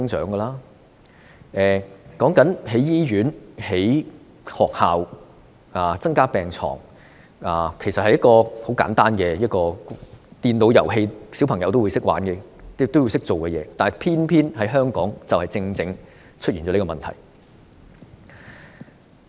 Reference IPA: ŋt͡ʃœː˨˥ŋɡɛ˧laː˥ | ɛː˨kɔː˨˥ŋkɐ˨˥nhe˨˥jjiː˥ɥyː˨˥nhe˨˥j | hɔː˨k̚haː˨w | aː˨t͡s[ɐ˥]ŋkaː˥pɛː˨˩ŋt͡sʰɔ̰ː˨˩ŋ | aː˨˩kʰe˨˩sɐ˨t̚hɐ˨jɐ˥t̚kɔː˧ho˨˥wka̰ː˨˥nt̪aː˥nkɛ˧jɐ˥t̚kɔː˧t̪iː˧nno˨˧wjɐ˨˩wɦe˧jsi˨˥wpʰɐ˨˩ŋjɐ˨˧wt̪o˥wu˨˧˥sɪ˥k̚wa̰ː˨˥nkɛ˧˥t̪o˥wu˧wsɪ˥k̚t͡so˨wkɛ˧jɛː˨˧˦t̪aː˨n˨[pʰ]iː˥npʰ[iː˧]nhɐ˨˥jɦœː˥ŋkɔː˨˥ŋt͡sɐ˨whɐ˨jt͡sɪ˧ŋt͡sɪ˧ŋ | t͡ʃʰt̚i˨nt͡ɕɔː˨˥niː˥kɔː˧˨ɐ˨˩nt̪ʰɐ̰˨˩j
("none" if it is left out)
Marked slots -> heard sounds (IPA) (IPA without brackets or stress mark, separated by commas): ɐ˥, pʰ, iː˥